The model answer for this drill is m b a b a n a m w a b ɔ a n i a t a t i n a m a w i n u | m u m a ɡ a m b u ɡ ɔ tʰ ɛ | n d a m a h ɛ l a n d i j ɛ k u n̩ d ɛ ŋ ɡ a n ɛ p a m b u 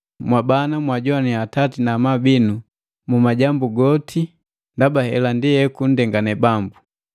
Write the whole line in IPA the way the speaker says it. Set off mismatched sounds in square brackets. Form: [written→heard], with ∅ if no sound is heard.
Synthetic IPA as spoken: m [b→w] a b a n a m w a [b→ɟ] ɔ a n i a t a t i n a m a [w→b] i n u | m u m a [ɡ→ɟ] a m b u ɡ ɔ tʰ [ɛ→i] | n d a [m→b] a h ɛ l a n d i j ɛ k u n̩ d ɛ ŋ ɡ a n ɛ [p→b] a m b u